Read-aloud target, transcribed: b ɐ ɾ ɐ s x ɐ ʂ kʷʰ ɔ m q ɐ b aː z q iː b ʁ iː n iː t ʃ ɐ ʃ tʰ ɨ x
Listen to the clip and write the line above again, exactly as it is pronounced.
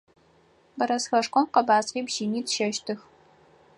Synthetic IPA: b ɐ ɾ ɐ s x ɐ ʂ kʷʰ ɔ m q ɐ b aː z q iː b ʒ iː n iː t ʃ ɐ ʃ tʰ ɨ x